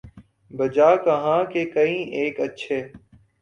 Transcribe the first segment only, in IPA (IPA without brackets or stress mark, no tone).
b